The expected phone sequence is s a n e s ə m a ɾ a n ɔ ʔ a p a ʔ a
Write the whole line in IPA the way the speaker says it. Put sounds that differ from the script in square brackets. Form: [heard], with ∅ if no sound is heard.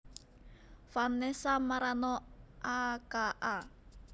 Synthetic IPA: [f] a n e s [a] m a ɾ a n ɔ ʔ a [k] a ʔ a